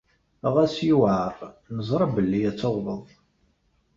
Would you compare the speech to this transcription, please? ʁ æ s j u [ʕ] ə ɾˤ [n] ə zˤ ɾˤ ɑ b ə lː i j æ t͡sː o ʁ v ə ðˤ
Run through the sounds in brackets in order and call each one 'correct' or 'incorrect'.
correct, correct

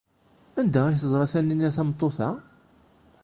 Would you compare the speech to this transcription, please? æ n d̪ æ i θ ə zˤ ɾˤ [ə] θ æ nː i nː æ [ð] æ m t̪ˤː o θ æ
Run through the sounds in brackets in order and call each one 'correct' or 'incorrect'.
incorrect: ɑ, incorrect: θ

